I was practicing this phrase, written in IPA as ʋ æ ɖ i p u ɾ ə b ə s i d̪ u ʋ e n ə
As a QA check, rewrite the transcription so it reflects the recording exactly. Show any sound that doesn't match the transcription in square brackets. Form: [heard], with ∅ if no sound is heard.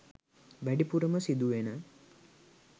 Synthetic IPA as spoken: ʋ æ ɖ i p u ɾ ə [m] ə s i d̪ u ʋ e n ə